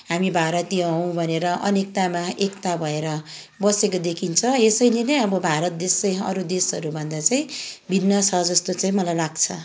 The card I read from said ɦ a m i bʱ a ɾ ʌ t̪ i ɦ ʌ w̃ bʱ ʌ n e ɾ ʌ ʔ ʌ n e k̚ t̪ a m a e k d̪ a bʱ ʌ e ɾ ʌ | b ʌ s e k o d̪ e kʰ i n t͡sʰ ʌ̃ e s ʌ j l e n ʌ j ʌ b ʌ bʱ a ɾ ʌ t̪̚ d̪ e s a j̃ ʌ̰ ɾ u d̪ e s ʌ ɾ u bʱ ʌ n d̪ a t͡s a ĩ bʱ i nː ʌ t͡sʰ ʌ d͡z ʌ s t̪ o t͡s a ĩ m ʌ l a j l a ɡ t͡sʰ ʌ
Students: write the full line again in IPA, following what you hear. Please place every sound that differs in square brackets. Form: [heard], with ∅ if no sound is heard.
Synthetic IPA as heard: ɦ a m i bʱ a ɾ ʌ t̪ i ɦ ʌ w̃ bʱ ʌ n e ɾ ʌ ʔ ʌ n e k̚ t̪ a m a e k [t̪] a bʱ ʌ e ɾ ʌ | b ʌ s e k o d̪ e kʰ i n t͡sʰ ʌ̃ e s ʌ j l e n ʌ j ʌ b ʌ bʱ a ɾ ʌ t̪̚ d̪ e s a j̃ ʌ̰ ɾ u d̪ e s ʌ ɾ u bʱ ʌ n d̪ a t͡s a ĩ bʱ i nː ʌ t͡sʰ ʌ d͡z ʌ s t̪ o t͡s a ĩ m ʌ l a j l a ɡ t͡sʰ ʌ

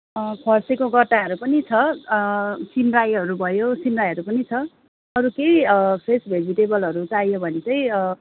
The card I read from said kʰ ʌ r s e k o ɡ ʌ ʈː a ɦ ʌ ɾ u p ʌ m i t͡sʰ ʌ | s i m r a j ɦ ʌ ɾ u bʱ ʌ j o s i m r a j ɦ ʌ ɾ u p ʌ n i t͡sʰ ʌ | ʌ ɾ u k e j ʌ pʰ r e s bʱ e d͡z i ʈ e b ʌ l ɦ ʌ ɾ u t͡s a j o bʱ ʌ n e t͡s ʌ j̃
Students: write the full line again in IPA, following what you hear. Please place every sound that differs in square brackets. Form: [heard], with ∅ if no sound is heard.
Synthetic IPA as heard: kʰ ʌ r s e k o ɡ ʌ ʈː a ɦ ʌ ɾ u p ʌ [n] i t͡sʰ ʌ | s i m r a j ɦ ʌ ɾ u bʱ ʌ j o s i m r a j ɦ ʌ ɾ u p ʌ n i t͡sʰ ʌ | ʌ ɾ u k e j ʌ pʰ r e s bʱ e d͡z i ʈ e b ʌ l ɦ ʌ ɾ u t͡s a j o bʱ ʌ n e t͡s ʌ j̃

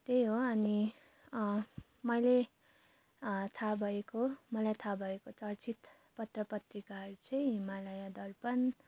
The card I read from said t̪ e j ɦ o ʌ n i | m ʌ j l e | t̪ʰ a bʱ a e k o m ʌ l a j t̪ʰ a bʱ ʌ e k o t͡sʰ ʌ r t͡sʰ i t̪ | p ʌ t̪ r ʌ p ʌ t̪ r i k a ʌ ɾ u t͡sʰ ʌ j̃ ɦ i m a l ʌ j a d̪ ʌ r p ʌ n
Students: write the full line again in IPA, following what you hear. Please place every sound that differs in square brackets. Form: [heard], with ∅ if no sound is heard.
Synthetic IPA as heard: t̪ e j ɦ o ʌ n i | m ʌ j l e | t̪ʰ a bʱ [ʌ] e k o m ʌ l a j t̪ʰ a bʱ ʌ e k o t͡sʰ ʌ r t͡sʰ i t̪ | p ʌ t̪ r ʌ p ʌ t̪ r i k a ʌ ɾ u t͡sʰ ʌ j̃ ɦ i m a l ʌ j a d̪ ʌ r p ʌ n

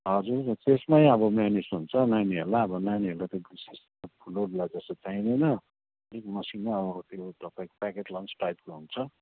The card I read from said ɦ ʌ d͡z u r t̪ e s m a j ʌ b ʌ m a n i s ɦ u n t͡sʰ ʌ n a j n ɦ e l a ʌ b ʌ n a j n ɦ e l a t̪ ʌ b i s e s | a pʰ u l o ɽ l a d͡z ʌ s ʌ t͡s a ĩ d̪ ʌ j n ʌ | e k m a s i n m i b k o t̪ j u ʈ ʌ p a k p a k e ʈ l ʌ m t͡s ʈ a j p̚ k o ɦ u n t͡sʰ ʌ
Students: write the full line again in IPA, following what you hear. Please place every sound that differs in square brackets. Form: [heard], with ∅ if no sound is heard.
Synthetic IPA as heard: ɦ ʌ d͡z u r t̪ e s m a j ʌ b ʌ m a n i s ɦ u n t͡sʰ ʌ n a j n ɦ e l a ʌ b ʌ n a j n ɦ e l a t̪ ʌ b i s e s | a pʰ u l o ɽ l a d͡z ʌ s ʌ t͡s a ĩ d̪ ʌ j n ʌ | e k m [ʌ] s i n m [a] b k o t̪ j [o] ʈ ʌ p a k p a k e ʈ l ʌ [n] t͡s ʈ a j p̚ k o ɦ u n t͡sʰ ʌ

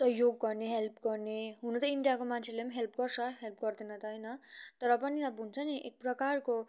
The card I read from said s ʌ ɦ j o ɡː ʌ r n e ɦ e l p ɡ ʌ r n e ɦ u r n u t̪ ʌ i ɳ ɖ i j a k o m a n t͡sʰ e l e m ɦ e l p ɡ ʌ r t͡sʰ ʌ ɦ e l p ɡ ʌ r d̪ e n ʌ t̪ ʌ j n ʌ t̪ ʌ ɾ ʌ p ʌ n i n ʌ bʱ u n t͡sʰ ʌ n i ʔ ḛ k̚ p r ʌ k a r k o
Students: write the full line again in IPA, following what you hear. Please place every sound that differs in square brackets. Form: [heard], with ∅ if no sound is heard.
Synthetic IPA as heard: s ʌ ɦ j o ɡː ʌ r n e ɦ e l p ɡ ʌ r n e ɦ u [∅] n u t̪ ʌ i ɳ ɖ i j a k o m a n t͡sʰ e l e m ɦ e l p ɡ ʌ r t͡sʰ ʌ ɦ e l p ɡ ʌ r d̪ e n ʌ t̪ ʌ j n ʌ t̪ ʌ ɾ ʌ p ʌ n i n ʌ bʱ u n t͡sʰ ʌ n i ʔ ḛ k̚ p r ʌ k a r k o

